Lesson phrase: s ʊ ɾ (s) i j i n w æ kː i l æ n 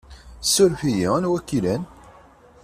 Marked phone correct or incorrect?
incorrect: f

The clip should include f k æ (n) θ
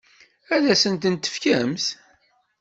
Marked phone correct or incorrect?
incorrect: m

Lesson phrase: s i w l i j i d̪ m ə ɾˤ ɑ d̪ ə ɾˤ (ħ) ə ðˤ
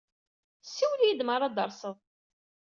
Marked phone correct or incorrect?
incorrect: s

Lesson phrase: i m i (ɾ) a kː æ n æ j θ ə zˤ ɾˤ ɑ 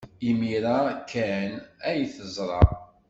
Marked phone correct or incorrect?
correct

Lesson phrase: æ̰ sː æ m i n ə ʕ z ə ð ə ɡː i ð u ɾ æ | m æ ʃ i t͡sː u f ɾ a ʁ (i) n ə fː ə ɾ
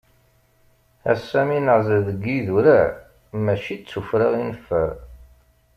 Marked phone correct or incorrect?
correct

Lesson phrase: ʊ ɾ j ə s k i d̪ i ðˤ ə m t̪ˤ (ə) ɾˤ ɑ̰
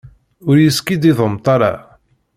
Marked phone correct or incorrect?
incorrect: ɑ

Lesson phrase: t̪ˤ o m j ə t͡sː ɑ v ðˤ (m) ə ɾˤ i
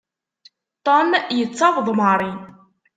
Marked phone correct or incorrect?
correct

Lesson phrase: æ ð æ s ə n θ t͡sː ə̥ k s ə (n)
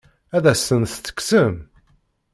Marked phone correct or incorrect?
incorrect: m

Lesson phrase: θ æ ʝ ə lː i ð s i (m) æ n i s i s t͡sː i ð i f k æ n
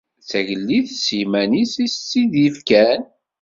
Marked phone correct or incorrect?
correct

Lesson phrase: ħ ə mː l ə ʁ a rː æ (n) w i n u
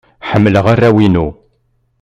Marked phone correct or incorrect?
incorrect: none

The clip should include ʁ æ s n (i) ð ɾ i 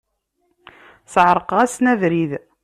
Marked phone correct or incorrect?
incorrect: æ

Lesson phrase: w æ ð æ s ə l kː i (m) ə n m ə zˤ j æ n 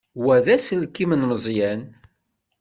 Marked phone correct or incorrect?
correct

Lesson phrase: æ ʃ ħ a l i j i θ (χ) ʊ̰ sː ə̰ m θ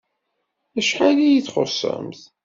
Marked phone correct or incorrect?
correct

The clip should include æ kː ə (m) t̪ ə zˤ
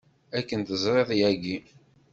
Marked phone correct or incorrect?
incorrect: n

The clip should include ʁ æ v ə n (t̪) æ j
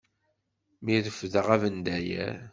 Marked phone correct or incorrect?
incorrect: d̪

